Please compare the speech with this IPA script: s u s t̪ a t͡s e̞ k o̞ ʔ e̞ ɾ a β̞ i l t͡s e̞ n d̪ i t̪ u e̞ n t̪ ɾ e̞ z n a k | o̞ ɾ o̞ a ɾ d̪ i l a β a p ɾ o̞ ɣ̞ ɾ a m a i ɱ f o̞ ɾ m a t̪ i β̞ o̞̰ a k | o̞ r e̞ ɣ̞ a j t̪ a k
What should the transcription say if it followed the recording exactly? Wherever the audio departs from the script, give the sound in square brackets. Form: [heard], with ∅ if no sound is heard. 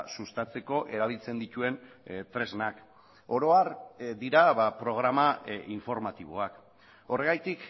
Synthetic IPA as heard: s u s t̪ a t͡s e̞ k o̞ ʔ e̞ ɾ a β̞ i l t͡s e̞ n d̪ i t̪ u e̞ n t̪ ɾ e̞ z n a k | o̞ ɾ o̞ a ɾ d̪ i [ɾ] a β a p ɾ o̞ ɣ̞ ɾ a m a i ɱ f o̞ ɾ m a t̪ i β̞ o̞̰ a k | o̞ r e̞ ɣ̞ a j t̪ [i] k